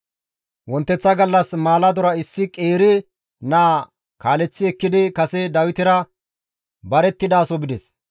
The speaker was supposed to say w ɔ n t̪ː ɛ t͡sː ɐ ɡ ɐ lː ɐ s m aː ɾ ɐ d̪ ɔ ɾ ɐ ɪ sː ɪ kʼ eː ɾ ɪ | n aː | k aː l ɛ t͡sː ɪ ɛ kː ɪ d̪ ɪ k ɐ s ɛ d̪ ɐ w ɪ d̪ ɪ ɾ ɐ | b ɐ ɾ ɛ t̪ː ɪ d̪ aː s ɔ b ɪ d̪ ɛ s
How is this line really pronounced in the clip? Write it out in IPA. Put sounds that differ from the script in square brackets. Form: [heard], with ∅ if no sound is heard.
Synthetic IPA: w ɔ n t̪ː ɛ t͡sː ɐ ɡ ɐ lː ɐ s m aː [l] ɐ d̪ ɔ ɾ ɐ ɪ sː ɪ kʼ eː ɾ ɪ | n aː | k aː l ɛ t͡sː ɪ ɛ kː ɪ d̪ ɪ k ɐ s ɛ d̪ ɐ w ɪ [t̪] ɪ ɾ ɐ | b ɐ ɾ ɛ t̪ː ɪ d̪ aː s ɔ b ɪ d̪ ɛ s